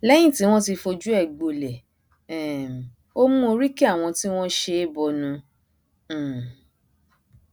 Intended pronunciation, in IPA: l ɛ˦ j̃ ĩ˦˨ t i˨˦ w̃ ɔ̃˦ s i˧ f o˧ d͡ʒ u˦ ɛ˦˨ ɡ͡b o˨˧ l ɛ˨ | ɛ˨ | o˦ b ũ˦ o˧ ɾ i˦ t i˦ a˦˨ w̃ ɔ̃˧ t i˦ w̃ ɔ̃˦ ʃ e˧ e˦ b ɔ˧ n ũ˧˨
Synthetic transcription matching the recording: l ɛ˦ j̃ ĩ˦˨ t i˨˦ w̃ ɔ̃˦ t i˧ f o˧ d͡ʒ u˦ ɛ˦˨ ɡ͡b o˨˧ l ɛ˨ | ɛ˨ | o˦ m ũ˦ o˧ ɾ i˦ k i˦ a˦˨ w̃ ɔ̃˧ t i˦ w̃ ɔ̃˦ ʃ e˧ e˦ b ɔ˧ n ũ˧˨